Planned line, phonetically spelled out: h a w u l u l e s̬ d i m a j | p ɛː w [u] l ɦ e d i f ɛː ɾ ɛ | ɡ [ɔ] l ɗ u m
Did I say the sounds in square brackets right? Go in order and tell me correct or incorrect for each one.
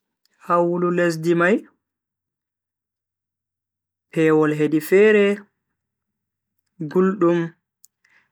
incorrect: ɔ, incorrect: u

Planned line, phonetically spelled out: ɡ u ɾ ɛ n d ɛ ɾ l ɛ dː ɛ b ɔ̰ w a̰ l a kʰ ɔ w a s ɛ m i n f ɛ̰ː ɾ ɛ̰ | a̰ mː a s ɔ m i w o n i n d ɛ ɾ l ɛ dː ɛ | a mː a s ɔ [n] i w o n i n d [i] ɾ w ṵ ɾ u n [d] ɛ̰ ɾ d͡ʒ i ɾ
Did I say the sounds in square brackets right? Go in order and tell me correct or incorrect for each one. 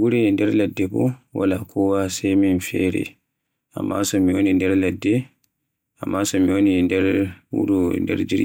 incorrect: m, incorrect: ɛ, correct

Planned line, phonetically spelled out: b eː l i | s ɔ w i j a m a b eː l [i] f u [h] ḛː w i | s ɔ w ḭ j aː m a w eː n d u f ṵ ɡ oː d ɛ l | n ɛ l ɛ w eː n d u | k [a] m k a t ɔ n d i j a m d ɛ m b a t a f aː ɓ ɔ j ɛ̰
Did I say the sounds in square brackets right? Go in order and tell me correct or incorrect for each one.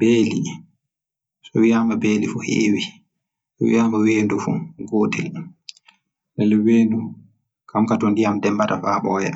correct, correct, correct

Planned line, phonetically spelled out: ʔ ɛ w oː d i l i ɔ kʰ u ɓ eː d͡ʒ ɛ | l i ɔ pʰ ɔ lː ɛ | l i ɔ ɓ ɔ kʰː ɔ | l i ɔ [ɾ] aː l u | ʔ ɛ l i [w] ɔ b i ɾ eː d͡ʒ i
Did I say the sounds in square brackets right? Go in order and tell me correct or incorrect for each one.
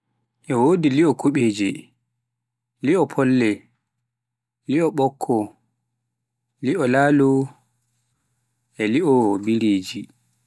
incorrect: l, incorrect: none

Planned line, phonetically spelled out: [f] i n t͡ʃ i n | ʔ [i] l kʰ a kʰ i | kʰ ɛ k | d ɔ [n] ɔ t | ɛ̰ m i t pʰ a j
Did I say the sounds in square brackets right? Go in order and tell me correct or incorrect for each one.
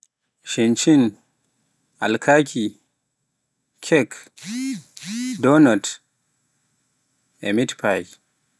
incorrect: ʃ, incorrect: a, correct

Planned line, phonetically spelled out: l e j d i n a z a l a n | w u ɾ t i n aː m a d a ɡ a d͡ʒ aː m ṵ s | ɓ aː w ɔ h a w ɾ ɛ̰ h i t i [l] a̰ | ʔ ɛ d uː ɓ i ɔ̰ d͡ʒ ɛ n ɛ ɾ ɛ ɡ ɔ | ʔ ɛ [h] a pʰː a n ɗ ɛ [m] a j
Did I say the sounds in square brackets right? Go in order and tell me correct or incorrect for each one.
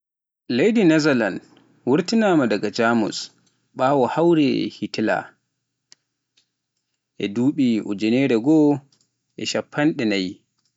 correct, incorrect: ʃ, incorrect: n

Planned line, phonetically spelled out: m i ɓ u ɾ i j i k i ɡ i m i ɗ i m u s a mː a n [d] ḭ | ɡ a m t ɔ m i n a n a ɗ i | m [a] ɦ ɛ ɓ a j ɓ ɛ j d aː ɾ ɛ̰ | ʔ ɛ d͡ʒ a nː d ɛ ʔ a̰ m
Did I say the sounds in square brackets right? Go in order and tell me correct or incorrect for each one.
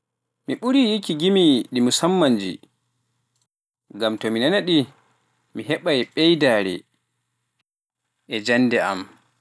incorrect: d͡ʒ, incorrect: i

